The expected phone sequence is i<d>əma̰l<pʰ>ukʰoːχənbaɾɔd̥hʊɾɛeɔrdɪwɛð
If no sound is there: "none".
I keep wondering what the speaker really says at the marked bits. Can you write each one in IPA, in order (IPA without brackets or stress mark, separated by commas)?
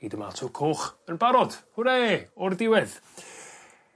d, tʰ